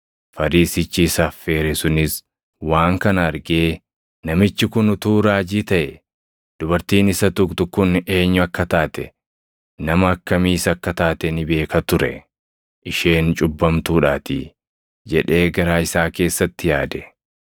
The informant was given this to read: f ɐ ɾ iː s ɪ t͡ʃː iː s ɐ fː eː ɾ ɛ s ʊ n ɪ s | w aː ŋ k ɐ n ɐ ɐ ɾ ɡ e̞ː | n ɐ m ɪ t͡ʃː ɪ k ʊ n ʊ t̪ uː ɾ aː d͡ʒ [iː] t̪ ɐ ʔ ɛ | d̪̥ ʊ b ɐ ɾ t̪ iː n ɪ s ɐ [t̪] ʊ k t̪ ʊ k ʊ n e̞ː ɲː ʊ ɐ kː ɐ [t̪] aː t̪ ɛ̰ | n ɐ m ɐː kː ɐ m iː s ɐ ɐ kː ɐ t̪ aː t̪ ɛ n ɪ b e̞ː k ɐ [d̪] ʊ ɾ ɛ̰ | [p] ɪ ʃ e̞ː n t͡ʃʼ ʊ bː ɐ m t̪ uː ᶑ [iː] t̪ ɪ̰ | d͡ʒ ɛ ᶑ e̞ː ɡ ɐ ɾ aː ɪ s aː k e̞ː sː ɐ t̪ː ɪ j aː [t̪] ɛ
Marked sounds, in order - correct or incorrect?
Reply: correct, correct, correct, incorrect: t̪, incorrect: ʔ, incorrect: aː, incorrect: d̪

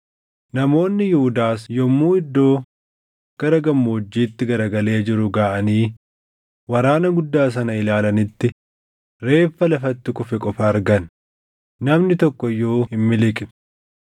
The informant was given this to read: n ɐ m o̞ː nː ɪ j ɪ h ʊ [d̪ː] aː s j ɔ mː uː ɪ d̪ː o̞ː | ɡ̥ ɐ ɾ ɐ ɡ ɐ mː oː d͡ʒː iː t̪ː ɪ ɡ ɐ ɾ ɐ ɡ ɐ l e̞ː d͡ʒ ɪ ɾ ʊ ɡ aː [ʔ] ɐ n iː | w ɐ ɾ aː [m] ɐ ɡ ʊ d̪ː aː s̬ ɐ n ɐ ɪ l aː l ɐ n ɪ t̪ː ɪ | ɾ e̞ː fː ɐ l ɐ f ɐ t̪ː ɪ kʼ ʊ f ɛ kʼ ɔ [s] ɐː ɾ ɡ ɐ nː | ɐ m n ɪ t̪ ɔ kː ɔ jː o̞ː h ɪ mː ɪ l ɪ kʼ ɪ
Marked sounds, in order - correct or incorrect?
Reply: incorrect: d̪, correct, incorrect: n, incorrect: f

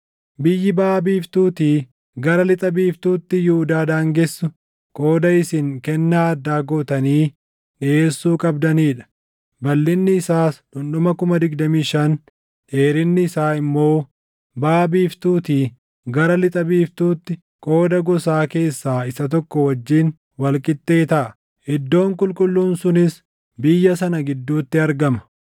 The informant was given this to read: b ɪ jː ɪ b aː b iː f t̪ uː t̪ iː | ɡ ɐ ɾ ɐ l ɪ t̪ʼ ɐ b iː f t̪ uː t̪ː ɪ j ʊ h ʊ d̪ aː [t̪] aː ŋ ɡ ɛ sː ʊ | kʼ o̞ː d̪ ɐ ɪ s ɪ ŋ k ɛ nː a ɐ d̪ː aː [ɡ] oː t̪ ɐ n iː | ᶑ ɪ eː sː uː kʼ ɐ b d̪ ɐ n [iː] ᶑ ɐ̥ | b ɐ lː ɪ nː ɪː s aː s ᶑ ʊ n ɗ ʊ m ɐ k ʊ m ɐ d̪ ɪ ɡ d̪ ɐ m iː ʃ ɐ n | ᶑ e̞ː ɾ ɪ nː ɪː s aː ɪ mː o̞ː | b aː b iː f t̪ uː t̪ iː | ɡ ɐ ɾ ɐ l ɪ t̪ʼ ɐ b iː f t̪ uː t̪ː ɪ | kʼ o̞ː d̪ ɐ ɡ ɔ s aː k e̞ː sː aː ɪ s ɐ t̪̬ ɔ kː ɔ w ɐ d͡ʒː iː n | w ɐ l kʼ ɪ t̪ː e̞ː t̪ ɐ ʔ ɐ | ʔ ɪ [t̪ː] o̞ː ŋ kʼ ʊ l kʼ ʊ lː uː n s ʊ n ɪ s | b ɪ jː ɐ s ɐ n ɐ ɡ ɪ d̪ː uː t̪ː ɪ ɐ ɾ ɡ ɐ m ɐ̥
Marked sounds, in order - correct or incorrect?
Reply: incorrect: d̪, correct, correct, incorrect: d̪ː

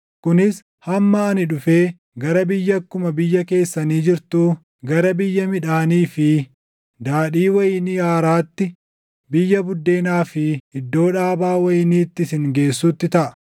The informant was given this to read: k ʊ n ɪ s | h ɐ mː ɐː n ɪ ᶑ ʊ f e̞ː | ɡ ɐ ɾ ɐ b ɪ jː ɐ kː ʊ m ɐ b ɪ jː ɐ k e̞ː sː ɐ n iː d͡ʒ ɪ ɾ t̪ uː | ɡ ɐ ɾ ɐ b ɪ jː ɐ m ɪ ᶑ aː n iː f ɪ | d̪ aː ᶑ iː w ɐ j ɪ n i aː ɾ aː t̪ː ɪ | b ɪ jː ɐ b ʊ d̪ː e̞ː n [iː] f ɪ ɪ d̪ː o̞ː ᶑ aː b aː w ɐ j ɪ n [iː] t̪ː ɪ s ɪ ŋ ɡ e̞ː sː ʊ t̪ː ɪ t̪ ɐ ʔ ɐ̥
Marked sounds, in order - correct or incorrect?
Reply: incorrect: aː, correct

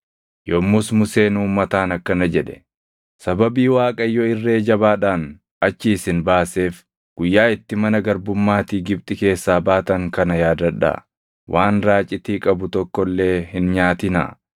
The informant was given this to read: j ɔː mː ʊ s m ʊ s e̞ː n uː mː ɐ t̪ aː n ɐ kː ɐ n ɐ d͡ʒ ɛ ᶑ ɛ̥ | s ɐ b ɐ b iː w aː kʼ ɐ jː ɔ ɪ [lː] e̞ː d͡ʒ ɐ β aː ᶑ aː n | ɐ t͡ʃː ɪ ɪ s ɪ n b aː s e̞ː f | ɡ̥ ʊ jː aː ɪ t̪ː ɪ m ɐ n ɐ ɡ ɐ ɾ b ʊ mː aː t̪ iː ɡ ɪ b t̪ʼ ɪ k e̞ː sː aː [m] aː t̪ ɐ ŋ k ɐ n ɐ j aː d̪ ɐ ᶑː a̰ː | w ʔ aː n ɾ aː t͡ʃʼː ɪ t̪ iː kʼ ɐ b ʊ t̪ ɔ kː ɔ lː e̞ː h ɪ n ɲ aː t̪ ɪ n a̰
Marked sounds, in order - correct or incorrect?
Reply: incorrect: rː, incorrect: b

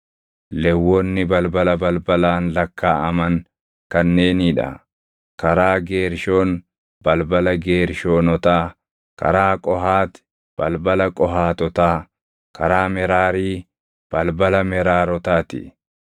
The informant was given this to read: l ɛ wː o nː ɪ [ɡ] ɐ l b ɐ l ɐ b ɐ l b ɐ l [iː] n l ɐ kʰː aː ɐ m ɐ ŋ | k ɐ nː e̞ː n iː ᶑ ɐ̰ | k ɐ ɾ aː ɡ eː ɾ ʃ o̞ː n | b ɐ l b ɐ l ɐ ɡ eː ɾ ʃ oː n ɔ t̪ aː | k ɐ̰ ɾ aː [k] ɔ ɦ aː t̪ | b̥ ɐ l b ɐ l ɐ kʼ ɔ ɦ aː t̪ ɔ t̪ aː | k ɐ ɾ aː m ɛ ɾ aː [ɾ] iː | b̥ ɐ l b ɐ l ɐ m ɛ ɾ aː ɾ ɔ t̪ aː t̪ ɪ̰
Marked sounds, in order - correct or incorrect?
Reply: incorrect: b, incorrect: aː, incorrect: kʼ, correct

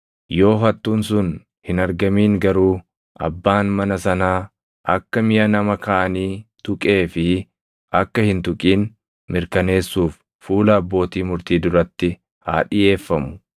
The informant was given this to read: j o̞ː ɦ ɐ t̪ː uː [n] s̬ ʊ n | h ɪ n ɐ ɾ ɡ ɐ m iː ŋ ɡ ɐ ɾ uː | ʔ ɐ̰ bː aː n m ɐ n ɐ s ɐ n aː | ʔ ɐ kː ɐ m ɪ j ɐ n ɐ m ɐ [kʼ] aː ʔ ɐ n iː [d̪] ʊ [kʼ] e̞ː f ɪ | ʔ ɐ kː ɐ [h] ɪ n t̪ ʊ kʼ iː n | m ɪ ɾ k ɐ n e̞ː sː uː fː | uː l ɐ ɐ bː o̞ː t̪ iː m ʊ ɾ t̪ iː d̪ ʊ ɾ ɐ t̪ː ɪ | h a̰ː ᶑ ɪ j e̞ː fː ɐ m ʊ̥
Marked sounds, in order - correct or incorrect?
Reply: correct, incorrect: k, incorrect: t̪, correct, correct

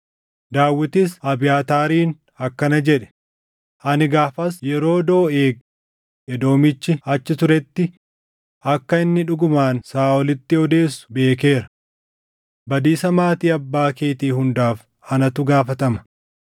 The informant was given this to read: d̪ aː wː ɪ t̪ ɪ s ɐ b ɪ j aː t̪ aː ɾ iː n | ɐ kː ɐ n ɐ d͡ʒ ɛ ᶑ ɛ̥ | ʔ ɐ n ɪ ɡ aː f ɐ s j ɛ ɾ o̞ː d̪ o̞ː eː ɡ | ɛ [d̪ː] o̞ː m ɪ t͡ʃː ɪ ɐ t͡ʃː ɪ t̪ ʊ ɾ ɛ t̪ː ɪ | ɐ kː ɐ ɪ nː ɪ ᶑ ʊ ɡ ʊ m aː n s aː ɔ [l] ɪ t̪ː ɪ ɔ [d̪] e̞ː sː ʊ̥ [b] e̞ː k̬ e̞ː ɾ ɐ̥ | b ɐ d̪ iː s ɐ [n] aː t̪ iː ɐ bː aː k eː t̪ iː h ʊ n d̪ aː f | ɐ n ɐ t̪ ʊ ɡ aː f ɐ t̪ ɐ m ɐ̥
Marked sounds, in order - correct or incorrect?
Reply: incorrect: d̪, correct, correct, correct, incorrect: m

